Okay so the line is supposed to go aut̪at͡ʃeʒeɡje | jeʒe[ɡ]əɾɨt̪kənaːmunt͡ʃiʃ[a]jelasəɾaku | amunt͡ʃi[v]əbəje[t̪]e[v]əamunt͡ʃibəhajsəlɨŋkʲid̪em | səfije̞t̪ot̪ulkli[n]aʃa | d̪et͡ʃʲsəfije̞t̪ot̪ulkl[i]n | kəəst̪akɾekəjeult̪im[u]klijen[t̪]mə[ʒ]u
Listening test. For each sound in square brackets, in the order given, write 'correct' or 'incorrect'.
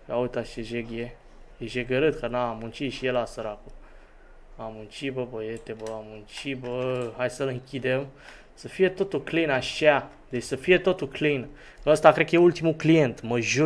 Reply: correct, incorrect, incorrect, correct, incorrect, correct, correct, correct, correct, correct

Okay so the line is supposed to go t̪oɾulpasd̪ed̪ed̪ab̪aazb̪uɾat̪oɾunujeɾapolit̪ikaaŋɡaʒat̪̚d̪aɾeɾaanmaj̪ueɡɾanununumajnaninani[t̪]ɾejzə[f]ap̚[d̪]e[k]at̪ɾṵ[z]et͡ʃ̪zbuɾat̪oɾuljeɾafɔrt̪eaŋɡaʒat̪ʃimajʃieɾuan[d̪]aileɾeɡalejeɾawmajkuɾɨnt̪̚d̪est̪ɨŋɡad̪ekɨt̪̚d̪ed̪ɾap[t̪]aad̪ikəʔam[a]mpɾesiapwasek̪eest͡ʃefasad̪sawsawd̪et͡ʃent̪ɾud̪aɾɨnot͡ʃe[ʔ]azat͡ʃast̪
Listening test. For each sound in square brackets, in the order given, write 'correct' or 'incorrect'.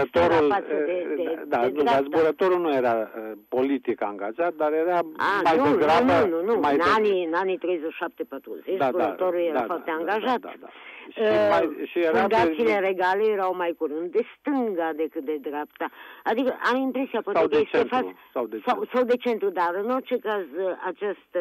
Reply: correct, incorrect, incorrect, incorrect, correct, correct, correct, incorrect, incorrect

